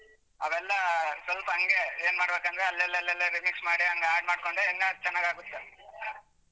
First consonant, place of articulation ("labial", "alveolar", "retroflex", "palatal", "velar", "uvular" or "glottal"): labial